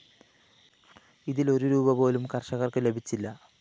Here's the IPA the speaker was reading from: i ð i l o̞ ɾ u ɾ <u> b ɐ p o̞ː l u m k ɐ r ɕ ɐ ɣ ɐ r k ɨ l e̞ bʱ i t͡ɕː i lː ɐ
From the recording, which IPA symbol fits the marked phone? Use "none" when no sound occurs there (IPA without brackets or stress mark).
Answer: uː